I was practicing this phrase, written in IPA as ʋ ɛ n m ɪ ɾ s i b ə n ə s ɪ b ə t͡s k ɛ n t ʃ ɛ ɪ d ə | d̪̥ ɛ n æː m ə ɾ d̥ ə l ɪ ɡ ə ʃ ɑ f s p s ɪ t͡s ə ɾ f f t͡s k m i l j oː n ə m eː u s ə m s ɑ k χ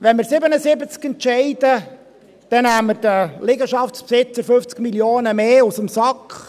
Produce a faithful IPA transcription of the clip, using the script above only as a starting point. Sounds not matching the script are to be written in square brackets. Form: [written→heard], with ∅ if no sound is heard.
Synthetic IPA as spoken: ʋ ɛ n m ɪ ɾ s [i→ɪ] b ə n ə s ɪ b ə t͡s k ɛ n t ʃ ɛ ɪ d ə | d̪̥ ɛ n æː m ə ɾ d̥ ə l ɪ ɡ ə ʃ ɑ f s p s ɪ t͡s ə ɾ f f t͡s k m i l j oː n ə m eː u s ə m s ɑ k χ